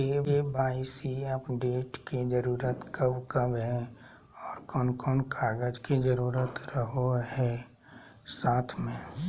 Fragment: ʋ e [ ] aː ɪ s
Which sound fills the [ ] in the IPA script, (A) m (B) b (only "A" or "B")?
B